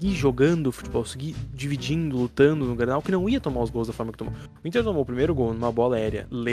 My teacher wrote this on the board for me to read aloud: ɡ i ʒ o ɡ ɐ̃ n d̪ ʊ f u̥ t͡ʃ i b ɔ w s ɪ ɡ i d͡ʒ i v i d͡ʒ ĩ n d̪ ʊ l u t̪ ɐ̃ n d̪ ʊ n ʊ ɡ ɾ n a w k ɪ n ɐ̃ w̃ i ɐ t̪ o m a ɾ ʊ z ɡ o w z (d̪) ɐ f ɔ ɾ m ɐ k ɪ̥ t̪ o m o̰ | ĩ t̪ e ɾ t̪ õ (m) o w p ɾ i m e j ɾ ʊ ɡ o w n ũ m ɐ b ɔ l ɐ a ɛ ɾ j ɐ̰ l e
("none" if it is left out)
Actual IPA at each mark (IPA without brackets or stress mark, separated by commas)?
d̪, m